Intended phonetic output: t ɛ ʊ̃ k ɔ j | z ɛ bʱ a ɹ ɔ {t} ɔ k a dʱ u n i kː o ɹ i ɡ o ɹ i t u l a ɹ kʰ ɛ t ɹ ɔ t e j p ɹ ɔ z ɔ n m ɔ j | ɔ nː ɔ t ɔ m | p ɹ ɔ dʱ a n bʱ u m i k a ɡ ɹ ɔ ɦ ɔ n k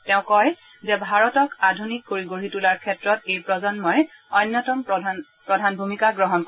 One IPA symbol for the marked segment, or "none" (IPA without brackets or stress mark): t